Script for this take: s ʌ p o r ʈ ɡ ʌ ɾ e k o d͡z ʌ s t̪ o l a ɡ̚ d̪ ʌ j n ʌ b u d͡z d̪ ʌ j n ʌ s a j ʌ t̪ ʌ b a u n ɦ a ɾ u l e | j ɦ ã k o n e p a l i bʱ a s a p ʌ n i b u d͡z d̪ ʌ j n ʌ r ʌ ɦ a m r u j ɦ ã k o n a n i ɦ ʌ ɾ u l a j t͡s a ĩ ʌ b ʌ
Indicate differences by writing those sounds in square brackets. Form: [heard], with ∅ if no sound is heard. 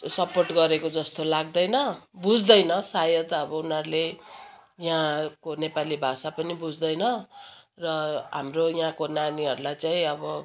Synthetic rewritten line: s ʌ p o r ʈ ɡ ʌ ɾ e k o d͡z ʌ s t̪ o l a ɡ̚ d̪ ʌ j n ʌ b u d͡z d̪ ʌ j n ʌ s a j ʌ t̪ ʌ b [ʌ] u n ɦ [ʌ] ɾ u l e | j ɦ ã k o n e p a l i bʱ a s a p ʌ n i b u d͡z d̪ ʌ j n ʌ r ʌ ɦ a m r [o] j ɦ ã k o n a n i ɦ ʌ ɾ u l a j t͡s a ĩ ʌ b ʌ